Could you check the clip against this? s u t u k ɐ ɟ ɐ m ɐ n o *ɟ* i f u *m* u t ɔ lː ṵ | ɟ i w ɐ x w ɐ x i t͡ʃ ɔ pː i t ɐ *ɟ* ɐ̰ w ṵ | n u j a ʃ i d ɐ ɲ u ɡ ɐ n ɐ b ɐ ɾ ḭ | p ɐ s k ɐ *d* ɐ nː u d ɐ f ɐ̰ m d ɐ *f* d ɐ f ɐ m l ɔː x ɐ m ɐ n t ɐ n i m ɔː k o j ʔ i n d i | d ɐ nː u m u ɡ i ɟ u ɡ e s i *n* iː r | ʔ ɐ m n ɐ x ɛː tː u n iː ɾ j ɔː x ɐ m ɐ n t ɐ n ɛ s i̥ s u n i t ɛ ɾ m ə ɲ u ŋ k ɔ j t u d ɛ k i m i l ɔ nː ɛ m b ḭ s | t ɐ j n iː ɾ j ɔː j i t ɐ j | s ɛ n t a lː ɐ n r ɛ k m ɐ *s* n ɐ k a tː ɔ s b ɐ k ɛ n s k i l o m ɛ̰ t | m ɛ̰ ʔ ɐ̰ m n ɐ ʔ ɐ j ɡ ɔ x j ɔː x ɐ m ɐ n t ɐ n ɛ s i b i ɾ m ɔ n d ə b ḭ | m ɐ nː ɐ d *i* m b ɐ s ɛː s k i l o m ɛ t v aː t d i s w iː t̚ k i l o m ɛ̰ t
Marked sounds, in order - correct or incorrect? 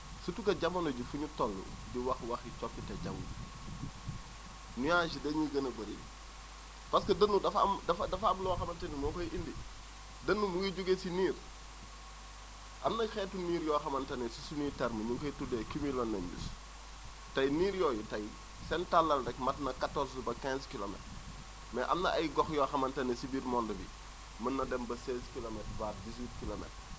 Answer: correct, incorrect, correct, correct, correct, correct, incorrect, incorrect

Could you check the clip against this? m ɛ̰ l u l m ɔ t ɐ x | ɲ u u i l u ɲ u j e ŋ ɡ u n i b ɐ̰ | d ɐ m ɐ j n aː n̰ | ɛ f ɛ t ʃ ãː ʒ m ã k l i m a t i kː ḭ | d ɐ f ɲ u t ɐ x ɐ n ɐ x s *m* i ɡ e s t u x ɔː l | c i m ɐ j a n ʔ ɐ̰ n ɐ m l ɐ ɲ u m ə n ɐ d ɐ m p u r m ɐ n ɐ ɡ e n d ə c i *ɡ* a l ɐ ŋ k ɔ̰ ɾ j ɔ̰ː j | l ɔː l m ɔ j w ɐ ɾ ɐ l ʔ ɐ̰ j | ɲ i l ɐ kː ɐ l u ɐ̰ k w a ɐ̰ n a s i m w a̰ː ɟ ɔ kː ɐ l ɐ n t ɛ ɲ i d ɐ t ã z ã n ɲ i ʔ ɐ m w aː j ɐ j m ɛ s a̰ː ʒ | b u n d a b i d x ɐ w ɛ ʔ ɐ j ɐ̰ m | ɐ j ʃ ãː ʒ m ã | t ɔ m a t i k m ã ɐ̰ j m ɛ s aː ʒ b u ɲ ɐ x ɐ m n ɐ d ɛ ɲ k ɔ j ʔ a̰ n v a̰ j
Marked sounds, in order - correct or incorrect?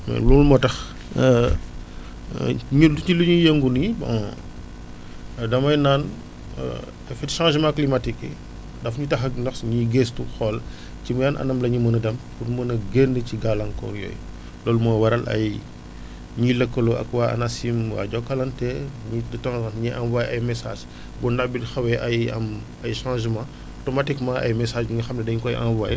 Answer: incorrect, correct

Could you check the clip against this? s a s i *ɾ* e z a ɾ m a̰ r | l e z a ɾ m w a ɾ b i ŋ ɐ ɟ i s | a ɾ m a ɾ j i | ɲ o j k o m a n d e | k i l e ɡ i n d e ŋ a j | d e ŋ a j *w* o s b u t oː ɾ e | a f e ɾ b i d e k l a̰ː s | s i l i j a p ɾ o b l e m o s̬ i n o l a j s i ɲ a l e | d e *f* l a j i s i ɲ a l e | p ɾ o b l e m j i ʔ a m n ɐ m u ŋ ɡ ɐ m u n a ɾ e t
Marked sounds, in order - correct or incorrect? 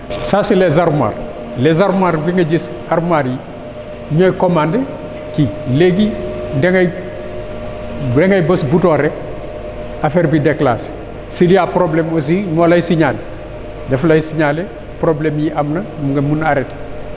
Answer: incorrect, incorrect, correct

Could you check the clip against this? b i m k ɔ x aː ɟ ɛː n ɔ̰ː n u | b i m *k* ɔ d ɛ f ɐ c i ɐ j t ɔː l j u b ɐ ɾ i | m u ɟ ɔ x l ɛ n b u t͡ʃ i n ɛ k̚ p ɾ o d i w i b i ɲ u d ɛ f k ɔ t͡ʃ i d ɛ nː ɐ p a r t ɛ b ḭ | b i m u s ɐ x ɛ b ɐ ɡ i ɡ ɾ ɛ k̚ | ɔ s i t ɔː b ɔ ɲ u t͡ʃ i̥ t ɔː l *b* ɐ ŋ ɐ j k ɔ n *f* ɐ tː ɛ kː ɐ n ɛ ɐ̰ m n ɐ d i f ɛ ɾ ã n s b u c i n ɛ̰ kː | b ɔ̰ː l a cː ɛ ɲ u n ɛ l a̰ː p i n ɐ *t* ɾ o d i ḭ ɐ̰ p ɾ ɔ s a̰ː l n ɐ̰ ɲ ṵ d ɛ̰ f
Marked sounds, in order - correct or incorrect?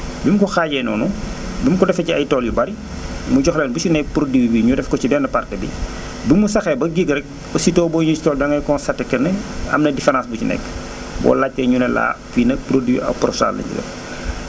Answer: correct, incorrect, incorrect, incorrect

